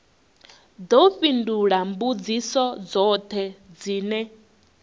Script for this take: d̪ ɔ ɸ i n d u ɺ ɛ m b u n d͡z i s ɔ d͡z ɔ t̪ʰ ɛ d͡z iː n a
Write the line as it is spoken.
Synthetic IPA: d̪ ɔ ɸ i n d u ɺ a m b u d͡z i s ɔ d͡z ɔ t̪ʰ ɛ d͡z iː n ɛ